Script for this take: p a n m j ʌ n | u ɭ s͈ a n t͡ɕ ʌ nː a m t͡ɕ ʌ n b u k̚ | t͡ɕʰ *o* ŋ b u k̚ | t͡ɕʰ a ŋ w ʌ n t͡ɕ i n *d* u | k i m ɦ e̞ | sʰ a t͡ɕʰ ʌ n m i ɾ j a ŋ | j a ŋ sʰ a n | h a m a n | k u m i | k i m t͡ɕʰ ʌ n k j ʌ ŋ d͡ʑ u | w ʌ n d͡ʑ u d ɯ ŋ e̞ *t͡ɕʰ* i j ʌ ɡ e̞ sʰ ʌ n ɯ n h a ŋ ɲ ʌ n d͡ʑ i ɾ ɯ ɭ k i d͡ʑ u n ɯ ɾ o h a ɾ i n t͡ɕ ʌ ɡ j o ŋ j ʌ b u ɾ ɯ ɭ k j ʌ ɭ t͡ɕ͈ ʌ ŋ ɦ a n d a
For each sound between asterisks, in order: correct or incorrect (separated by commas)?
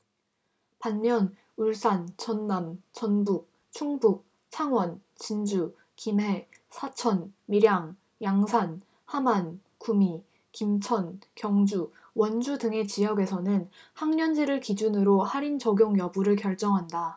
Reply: incorrect, incorrect, incorrect